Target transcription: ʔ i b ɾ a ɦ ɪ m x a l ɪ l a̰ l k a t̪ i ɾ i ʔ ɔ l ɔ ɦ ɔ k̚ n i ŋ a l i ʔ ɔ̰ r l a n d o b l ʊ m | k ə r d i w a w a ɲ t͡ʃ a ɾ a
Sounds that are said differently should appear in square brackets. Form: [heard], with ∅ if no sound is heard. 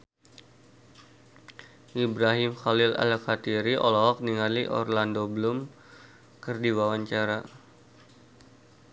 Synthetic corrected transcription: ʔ i b ɾ a ɦ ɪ m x a l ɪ l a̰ l k a t̪ i ɾ i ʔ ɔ l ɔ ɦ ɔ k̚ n i ŋ a l i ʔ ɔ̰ r l a n d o b l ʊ m | k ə r d i w a w a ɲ t͡ʃ a ɾ a